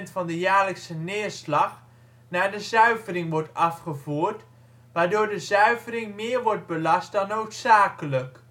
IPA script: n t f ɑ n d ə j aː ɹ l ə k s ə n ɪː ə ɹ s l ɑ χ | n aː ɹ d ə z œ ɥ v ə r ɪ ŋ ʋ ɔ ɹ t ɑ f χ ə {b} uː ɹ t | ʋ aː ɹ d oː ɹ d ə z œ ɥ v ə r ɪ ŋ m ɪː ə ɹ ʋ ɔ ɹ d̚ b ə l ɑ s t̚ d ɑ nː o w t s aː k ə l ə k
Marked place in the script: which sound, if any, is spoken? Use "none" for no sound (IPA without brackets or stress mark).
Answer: v